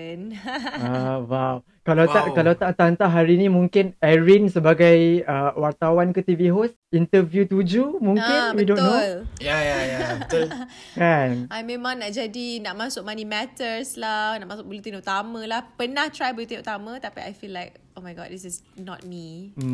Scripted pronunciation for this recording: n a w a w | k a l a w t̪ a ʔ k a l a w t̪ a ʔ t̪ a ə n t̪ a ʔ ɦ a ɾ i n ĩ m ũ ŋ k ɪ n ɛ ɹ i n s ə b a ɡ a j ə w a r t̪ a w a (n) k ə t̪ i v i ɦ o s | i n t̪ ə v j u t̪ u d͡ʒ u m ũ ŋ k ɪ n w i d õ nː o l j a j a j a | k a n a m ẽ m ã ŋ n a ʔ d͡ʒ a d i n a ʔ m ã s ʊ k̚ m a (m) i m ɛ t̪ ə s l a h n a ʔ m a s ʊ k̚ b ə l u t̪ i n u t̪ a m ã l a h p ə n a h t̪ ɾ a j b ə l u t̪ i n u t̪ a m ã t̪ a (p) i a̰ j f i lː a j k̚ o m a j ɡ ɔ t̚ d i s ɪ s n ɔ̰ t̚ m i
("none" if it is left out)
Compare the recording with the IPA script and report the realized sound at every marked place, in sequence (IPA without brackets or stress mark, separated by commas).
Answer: n, n, p